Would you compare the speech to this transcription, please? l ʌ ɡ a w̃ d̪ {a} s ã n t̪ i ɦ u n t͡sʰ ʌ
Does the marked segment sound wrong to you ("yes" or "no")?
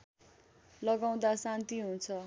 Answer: no